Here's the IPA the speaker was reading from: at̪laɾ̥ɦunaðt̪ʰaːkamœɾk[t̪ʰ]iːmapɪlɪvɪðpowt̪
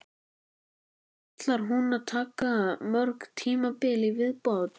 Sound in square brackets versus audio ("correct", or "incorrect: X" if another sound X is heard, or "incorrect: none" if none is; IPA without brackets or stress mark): correct